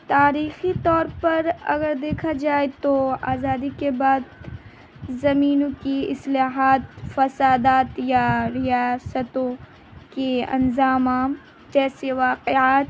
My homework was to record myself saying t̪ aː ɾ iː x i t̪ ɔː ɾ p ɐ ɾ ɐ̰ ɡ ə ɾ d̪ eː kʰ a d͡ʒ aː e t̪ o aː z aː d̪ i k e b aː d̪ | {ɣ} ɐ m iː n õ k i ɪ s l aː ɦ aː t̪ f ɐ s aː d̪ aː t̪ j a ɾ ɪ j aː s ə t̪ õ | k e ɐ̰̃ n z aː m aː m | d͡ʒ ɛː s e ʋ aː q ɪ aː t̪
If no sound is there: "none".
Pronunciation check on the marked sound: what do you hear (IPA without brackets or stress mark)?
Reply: z